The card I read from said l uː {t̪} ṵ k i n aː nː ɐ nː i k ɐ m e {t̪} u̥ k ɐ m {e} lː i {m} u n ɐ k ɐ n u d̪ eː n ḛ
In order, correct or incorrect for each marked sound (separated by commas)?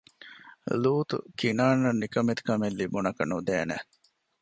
correct, correct, correct, incorrect